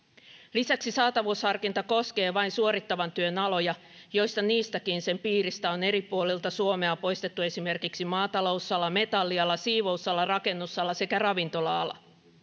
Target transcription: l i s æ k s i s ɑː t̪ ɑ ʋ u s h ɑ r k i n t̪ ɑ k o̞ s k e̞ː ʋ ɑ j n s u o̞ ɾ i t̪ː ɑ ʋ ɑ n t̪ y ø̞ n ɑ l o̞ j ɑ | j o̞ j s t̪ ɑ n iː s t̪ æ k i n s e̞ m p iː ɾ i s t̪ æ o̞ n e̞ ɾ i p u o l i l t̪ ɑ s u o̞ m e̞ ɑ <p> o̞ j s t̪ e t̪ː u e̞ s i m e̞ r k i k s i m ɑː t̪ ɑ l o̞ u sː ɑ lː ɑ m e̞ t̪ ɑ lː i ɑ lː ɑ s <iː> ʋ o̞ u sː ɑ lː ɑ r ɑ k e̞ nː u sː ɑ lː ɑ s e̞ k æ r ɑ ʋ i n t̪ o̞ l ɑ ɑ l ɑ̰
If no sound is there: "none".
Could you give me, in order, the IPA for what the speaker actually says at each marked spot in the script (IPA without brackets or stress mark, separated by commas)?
p, iː